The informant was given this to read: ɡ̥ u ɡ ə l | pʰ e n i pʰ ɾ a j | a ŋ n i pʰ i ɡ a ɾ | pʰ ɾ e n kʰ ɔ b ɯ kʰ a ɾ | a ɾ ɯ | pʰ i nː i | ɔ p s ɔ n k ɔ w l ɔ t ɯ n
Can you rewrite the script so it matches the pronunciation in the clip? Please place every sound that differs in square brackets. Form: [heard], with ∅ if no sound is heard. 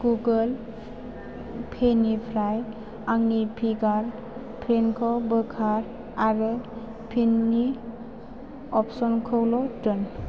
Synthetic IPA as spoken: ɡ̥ u ɡ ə l | pʰ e n i pʰ ɾ a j | a ŋ n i pʰ i ɡ a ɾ | pʰ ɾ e n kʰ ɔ b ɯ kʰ a ɾ | a ɾ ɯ | pʰ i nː i | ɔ p s ɔ n [kʰ] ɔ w l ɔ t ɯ n